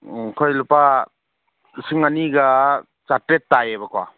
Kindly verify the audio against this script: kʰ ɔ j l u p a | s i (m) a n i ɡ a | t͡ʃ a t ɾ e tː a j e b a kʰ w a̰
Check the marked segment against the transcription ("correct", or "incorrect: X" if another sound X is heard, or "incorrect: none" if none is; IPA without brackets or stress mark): incorrect: ŋ